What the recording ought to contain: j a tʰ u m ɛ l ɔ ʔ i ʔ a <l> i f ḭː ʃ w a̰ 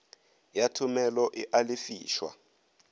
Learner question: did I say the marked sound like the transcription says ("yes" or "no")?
yes